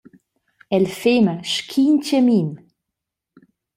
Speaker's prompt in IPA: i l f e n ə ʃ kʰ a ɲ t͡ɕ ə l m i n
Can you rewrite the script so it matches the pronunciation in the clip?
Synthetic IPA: ɛ l f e m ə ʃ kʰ i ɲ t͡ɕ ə m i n